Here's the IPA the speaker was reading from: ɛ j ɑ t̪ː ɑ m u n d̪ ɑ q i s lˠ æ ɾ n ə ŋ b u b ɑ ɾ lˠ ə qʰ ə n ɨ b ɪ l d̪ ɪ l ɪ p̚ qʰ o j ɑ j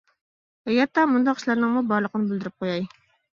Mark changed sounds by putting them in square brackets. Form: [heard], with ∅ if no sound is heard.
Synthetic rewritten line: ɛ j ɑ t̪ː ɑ m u n d̪ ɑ q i [ʃ] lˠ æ ɾ n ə ŋ [m] u b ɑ ɾ lˠ ə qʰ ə n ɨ b ɪ l d̪ ɪ [ɾ] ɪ p̚ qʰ o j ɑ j

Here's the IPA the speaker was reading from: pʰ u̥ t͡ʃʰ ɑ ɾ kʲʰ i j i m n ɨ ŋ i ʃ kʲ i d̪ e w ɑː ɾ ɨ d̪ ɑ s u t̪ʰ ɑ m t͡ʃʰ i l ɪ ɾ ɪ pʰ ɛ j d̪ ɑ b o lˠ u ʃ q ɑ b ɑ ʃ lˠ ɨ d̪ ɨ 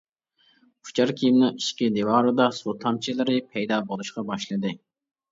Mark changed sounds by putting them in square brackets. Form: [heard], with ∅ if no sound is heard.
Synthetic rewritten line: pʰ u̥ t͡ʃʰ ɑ ɾ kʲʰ i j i m n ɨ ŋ i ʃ kʲ i d̪ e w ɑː ɾ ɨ d̪ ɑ s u t̪ʰ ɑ m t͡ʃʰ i l ɪ ɾ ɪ pʰ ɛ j d̪ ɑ b o lˠ u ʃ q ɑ b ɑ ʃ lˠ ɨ d̪ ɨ

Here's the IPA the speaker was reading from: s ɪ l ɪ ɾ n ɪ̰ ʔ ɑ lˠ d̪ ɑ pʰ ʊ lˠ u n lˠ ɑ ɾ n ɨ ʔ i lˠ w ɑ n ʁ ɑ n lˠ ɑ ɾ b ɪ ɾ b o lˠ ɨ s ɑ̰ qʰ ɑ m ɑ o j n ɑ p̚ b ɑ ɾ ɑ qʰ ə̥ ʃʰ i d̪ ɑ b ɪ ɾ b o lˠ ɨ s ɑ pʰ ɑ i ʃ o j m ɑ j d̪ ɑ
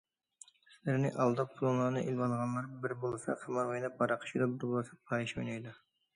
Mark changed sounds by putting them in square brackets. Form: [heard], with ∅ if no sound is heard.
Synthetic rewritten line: s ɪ l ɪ ɾ n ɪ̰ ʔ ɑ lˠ d̪ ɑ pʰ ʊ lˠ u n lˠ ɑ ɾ n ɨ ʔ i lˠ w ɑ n ʁ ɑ n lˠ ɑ ɾ b ɪ ɾ b o lˠ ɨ s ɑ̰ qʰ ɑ m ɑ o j n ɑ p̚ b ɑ ɾ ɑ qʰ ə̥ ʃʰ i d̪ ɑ b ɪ ɾ b o lˠ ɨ s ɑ pʰ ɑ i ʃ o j [n] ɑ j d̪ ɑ

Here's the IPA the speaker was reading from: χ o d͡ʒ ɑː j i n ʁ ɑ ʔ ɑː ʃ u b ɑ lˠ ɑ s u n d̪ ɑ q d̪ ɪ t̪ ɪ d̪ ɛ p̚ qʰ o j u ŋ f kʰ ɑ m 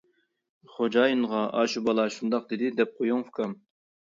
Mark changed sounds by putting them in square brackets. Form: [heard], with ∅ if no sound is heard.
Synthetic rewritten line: χ o d͡ʒ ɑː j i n ʁ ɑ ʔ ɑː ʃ u b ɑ lˠ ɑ [ʃ] u n d̪ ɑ q d̪ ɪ [d̪] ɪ d̪ ɛ p̚ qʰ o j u ŋ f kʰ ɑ m

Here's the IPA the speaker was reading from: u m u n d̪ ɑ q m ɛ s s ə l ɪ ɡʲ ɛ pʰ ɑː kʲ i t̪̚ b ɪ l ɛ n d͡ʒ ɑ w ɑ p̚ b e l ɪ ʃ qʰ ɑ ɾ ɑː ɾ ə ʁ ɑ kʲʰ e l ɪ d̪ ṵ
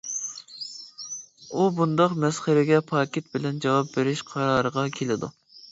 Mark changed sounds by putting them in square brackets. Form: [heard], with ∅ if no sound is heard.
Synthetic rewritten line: u [b] u n d̪ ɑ q m ɛ s [χ] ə [ɾ] ɪ ɡʲ ɛ pʰ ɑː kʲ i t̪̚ b ɪ l ɛ n d͡ʒ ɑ w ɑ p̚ b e [ɾ] ɪ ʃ qʰ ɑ ɾ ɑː ɾ ə ʁ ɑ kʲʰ e l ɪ d̪ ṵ

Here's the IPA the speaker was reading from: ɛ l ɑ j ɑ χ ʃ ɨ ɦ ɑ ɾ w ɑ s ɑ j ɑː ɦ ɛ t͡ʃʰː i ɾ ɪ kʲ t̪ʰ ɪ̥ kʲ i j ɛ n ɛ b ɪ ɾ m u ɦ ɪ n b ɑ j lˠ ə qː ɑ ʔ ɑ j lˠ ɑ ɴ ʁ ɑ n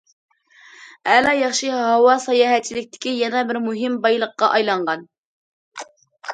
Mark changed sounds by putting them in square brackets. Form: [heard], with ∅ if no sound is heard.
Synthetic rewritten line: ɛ l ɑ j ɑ χ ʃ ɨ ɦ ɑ [∅] w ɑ s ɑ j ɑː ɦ ɛ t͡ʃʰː i [l] ɪ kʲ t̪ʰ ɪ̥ kʲ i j ɛ n ɛ b ɪ ɾ m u ɦ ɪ [m] b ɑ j lˠ ə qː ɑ ʔ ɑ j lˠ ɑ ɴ ʁ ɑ n

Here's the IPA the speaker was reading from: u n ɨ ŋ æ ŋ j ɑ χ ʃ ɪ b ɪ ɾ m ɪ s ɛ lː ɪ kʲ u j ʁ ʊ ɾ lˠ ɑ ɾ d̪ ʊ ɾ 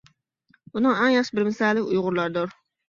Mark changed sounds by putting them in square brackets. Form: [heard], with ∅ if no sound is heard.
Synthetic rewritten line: u n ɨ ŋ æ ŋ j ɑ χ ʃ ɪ b ɪ ɾ m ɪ s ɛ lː ɪ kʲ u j ʁ ʊ ɾ lˠ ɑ ɾ d̪ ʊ ɾ

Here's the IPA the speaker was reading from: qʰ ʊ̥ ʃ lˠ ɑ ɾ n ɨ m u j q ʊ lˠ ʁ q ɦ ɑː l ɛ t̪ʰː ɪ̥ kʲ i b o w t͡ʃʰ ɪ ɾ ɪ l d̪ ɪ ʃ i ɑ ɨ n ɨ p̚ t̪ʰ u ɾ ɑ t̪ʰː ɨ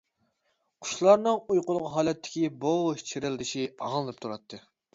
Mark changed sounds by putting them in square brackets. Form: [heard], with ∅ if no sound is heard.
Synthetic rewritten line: qʰ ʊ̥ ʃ lˠ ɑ ɾ n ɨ [ŋ] u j q ʊ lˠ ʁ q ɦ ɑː l ɛ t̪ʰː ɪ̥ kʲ i b o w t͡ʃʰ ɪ ɾ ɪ l d̪ ɪ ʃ i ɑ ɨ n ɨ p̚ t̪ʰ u ɾ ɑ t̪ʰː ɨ

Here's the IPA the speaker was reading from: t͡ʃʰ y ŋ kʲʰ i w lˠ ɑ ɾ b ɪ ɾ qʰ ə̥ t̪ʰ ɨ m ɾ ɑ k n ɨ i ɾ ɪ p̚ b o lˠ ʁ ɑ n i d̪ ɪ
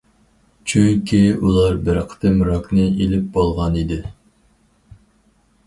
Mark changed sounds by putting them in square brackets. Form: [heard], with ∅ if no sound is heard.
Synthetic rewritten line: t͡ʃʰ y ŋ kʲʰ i [u] lˠ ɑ ɾ b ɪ ɾ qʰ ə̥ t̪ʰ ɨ m ɾ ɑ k n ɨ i [l] ɪ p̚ b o lˠ ʁ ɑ n i d̪ ɪ

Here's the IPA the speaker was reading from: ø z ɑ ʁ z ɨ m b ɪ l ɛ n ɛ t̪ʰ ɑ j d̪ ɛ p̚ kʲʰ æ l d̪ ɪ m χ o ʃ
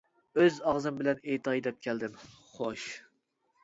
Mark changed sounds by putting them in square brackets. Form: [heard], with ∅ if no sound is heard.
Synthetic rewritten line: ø z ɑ ʁ z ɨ m b ɪ l ɛ n [e] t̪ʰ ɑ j d̪ ɛ p̚ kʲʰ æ l d̪ ɪ m χ o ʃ

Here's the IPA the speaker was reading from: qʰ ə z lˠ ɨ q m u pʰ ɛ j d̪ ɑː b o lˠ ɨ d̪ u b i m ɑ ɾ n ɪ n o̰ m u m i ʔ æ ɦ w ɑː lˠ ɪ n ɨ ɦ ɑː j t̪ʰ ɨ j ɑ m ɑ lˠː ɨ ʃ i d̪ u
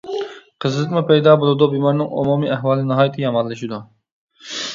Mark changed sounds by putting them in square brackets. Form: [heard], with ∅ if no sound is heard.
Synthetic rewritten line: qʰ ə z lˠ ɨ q m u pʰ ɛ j d̪ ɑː b o lˠ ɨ d̪ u b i m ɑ ɾ n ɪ [ŋ] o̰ m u m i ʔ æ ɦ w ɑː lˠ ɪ n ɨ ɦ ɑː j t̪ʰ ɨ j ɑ m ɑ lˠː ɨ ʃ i d̪ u

